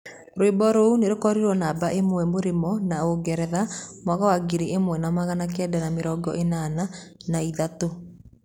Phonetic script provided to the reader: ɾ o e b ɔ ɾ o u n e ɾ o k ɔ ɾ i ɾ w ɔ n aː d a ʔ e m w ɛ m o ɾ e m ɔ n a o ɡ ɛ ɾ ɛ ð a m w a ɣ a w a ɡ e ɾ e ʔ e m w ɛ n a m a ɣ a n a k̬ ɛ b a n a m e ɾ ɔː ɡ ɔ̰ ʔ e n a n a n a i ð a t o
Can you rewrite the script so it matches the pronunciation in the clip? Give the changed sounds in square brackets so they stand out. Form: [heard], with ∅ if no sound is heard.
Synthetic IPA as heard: ɾ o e b ɔ ɾ o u n e ɾ o k ɔ ɾ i ɾ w ɔ n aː [b] a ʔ e m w ɛ m o ɾ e m ɔ n a o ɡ ɛ ɾ ɛ ð a m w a ɣ a w a ɡ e ɾ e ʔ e m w ɛ n a m a ɣ a n a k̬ ɛ [d] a n a m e ɾ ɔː ɡ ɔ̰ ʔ e n a n a n a i ð a t o